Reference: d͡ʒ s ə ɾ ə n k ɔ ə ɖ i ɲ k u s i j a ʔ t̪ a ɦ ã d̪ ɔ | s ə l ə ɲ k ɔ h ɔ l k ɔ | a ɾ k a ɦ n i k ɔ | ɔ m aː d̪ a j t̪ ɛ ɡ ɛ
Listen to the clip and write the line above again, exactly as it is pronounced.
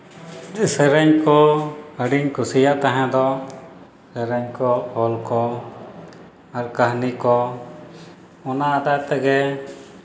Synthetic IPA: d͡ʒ s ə ɾ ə ɲ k ɔ ə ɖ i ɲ k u s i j a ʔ t̪ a ɦ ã d̪ ɔ | s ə ɾ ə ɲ k ɔ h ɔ l k ɔ | a ɾ k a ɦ n i k ɔ | ɔ n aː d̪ a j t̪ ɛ ɡ ɛ